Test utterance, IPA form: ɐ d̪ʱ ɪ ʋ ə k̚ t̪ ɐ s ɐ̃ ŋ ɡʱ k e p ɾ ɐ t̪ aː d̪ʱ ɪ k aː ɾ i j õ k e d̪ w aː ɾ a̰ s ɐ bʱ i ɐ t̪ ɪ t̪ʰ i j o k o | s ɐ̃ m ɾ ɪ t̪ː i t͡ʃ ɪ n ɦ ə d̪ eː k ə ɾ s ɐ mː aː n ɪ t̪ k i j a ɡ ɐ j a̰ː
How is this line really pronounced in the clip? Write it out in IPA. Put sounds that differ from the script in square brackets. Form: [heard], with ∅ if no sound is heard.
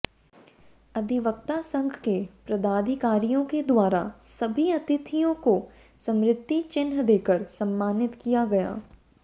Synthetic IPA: ɐ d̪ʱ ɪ ʋ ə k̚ t̪ [a] s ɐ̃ ŋ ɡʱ k e p ɾ ɐ [d̪] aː d̪ʱ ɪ k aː ɾ i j õ k e d̪ w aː ɾ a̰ s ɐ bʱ i ɐ t̪ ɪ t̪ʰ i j [õ] k o | s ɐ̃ m ɾ ɪ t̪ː i t͡ʃ ɪ n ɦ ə d̪ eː k ə ɾ s ɐ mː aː n ɪ t̪ k i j a ɡ ɐ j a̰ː